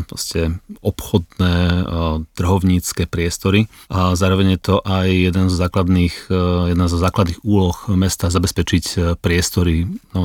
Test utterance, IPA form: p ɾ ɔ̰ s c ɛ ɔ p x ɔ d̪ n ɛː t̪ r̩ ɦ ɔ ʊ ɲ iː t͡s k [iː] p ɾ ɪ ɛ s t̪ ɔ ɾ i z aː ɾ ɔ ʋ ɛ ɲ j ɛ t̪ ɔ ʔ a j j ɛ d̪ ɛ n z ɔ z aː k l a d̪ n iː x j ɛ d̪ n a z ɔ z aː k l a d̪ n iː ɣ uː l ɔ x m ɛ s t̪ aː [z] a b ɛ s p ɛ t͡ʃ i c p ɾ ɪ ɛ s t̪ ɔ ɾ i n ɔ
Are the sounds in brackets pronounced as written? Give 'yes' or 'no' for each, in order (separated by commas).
no, yes